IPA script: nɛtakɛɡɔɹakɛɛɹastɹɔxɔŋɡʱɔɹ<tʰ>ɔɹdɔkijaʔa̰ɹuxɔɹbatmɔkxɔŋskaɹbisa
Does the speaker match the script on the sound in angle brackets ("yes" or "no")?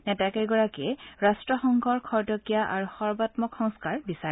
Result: no